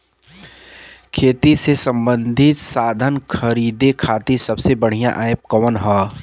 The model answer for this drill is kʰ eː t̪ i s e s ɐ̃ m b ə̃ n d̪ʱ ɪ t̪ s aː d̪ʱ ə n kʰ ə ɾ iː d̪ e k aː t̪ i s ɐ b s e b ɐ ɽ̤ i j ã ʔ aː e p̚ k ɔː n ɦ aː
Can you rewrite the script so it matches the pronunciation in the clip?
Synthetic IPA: kʰ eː t̪ i s e s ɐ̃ m b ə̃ n d̪ʱ ɪ t̪ s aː d̪ʱ ə n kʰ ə ɾ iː d̪ e kʰ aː t̪ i s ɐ b s e b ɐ ɽ̤ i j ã ʔ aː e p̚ k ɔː n ɦ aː